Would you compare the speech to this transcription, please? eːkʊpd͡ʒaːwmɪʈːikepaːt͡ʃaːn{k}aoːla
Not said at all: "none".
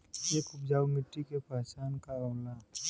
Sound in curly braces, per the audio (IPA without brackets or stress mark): k